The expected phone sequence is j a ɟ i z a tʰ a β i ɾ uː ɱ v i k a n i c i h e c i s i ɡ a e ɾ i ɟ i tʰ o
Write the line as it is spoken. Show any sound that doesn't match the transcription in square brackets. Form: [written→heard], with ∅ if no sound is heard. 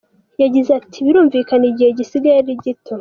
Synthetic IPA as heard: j a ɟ i z a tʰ [a→i] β i ɾ uː ɱ v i k a n i [c→ɟ] i h e [c→ɟ] i s i ɡ a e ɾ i ɟ i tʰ o